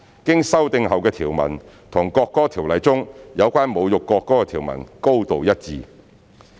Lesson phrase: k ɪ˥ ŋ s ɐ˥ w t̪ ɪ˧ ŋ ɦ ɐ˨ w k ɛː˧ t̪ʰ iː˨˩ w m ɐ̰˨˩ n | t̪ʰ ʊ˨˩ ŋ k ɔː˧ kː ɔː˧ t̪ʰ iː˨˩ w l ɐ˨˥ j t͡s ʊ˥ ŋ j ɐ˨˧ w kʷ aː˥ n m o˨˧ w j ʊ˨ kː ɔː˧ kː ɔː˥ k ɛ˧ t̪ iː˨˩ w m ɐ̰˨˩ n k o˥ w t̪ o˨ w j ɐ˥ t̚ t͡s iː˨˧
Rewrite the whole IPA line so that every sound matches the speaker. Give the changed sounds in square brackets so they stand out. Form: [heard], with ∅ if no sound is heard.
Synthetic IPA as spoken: k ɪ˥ ŋ s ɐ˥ w t̪ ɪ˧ ŋ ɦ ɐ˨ w k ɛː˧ t̪ʰ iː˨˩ w m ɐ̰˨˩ n | t̪ʰ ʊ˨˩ ŋ k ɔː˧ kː [ɔː˥] t̪ʰ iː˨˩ w l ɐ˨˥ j t͡s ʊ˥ ŋ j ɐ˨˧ w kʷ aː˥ n m o˨˧ w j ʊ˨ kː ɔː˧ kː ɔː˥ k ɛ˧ [t̪ʰ] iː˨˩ w m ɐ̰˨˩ n k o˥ w t̪ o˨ w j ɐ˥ t̚ t͡s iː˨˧